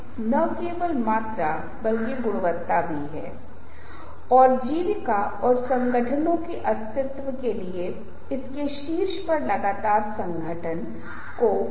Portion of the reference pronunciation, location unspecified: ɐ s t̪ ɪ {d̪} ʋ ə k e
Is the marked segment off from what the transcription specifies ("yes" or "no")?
yes